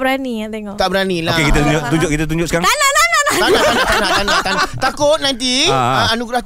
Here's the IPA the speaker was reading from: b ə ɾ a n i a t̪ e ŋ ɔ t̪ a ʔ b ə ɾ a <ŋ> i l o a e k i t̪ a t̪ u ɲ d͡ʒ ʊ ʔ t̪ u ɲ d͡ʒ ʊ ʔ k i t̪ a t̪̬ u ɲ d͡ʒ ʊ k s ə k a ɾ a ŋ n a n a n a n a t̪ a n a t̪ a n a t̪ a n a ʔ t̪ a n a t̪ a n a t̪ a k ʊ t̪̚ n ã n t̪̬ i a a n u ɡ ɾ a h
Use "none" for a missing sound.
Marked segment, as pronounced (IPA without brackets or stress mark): n